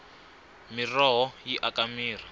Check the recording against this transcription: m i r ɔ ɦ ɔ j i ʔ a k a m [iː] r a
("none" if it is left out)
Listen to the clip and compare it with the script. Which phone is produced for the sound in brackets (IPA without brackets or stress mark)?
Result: iː